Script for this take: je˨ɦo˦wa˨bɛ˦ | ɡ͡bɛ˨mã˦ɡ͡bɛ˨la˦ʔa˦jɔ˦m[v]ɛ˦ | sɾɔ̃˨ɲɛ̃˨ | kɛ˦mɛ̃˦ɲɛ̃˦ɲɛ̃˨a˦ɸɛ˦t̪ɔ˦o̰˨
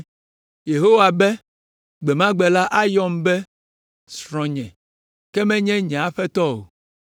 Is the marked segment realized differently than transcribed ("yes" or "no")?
yes